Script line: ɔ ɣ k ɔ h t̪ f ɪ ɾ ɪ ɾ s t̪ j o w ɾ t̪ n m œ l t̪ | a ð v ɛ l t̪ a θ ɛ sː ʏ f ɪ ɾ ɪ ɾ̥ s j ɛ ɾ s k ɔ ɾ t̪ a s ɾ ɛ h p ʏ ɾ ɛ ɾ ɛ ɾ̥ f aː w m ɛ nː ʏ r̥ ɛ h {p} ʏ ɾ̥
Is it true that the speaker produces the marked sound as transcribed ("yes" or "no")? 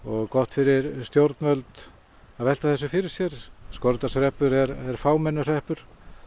yes